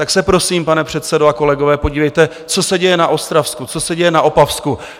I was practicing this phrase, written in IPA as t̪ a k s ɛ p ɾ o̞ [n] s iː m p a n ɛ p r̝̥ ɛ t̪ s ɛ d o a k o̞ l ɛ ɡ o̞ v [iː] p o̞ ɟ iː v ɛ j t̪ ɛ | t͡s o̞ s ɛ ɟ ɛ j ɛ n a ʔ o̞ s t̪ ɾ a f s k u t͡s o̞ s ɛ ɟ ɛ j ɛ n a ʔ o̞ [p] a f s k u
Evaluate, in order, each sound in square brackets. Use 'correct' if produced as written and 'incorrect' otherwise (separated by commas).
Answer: incorrect, incorrect, correct